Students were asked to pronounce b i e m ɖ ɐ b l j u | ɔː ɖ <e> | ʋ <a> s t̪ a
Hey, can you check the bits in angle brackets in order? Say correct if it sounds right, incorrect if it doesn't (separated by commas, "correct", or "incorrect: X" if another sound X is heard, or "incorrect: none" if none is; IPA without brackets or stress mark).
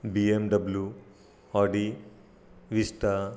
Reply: incorrect: i, incorrect: i